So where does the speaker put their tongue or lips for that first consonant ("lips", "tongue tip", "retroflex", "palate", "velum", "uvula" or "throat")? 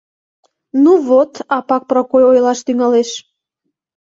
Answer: tongue tip